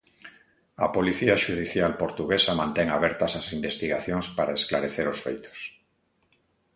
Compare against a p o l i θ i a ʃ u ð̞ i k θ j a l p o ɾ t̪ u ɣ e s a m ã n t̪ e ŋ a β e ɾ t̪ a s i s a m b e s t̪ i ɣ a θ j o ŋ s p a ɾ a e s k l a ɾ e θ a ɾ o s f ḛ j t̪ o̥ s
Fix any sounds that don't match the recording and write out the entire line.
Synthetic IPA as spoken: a p o l i θ i a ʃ u ð̞ i θ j a l p o ɾ t̪ u ɣ e s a m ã n t̪ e ŋ a β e ɾ t̪ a s a s i m b e s t̪ i ɣ a θ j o ŋ s p a ɾ a e s k l a ɾ e θ e ɾ o s f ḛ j t̪ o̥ s